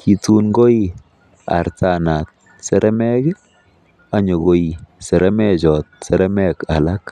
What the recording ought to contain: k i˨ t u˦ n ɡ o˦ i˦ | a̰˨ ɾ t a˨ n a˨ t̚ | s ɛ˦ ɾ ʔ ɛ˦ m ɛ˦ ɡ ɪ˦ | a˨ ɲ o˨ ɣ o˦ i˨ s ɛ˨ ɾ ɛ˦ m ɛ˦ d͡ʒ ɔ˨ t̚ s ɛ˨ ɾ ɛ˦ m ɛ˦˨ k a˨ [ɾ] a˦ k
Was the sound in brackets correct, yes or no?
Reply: no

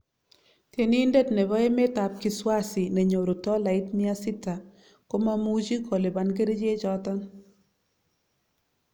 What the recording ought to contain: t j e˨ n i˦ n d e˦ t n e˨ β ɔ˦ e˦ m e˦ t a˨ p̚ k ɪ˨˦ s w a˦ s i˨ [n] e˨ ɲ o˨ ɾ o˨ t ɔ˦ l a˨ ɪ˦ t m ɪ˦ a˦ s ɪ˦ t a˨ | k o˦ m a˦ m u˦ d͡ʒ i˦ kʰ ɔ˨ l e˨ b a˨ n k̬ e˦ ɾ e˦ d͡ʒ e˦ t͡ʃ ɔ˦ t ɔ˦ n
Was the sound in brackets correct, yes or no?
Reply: yes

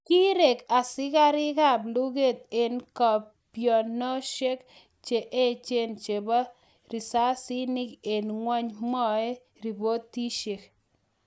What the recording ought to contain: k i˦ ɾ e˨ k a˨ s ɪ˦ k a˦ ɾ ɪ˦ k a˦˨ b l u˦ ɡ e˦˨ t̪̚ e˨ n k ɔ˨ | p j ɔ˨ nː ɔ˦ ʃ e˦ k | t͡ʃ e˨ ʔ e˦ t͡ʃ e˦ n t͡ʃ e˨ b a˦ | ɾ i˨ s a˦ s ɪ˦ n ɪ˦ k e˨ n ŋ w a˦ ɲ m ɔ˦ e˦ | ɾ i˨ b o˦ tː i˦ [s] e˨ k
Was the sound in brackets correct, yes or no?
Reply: no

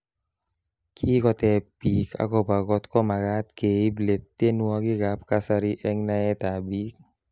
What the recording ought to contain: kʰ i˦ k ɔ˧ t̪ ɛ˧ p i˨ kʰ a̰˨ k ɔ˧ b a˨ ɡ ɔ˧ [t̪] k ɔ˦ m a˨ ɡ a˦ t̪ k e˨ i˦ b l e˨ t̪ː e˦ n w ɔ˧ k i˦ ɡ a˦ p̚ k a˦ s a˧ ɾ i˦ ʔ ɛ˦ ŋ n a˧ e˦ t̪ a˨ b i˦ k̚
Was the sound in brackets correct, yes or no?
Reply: yes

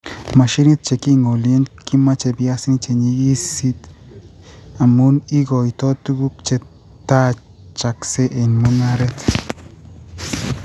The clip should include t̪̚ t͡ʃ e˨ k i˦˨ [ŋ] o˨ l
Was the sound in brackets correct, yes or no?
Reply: yes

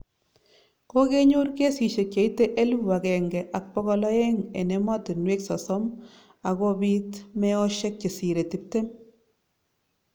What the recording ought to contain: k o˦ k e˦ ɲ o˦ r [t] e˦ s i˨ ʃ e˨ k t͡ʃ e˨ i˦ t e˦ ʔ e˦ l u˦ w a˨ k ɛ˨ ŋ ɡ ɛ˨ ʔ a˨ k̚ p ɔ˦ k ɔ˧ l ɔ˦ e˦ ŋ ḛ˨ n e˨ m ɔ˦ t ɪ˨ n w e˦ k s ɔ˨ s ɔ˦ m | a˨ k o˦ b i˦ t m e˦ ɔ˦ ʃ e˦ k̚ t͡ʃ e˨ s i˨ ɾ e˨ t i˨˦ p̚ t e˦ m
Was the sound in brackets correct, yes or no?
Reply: no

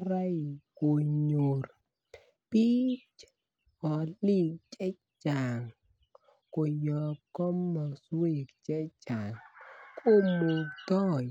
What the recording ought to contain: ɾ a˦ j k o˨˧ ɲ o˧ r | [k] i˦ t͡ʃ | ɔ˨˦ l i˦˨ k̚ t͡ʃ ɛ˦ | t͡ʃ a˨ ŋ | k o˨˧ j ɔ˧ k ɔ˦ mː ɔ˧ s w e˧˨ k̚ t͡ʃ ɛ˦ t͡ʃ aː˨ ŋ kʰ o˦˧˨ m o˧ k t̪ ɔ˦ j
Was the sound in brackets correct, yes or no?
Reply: no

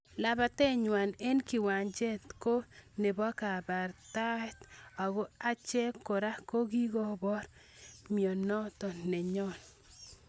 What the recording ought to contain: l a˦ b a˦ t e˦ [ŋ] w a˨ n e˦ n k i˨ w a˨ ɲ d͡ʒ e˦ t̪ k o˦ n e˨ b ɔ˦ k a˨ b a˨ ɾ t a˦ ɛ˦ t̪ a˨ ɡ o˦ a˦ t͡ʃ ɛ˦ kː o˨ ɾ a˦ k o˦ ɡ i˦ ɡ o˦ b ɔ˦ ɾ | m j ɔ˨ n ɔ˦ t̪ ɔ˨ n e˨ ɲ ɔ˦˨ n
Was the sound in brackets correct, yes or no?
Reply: no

